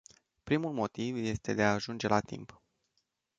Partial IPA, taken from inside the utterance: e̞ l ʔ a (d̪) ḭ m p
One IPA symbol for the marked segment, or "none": t̪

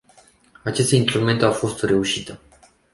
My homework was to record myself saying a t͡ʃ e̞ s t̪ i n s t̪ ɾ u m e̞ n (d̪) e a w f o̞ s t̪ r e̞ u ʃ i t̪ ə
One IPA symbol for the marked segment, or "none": t̪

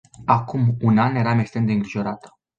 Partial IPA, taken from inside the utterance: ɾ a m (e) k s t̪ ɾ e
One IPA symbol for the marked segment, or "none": e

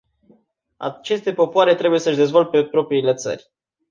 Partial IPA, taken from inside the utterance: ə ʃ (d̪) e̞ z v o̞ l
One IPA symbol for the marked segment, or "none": d̪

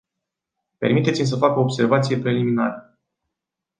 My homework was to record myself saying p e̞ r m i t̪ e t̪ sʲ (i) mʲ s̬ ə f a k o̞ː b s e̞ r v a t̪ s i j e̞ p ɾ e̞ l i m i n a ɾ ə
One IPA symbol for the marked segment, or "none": i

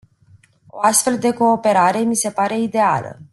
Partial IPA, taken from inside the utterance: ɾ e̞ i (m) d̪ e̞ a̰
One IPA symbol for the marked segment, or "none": none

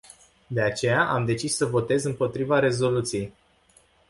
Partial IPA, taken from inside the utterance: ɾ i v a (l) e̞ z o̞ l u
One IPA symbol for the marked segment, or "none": ɾ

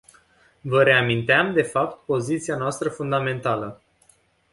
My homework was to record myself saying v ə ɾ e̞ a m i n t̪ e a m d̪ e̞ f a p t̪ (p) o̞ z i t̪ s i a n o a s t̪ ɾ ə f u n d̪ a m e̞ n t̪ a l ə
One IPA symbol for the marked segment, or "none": p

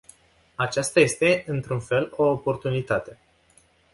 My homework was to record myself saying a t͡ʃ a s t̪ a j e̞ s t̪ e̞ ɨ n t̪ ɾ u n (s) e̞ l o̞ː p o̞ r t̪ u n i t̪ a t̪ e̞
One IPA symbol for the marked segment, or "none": f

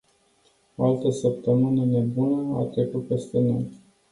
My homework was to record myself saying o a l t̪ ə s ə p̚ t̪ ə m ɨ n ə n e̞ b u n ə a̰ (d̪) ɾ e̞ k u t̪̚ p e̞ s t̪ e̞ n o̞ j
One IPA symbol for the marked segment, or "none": t̪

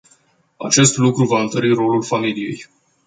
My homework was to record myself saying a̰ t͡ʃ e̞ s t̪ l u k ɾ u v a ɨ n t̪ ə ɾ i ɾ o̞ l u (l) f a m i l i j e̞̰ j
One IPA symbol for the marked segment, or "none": l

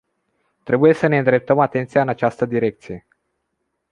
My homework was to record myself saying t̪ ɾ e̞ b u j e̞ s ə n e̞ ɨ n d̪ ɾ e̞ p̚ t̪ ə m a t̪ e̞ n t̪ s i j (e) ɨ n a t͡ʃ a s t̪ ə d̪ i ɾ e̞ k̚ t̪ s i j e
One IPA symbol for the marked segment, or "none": a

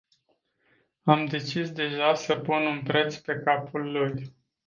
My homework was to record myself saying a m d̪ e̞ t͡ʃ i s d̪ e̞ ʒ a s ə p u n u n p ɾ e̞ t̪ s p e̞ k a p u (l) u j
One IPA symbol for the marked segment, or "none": lː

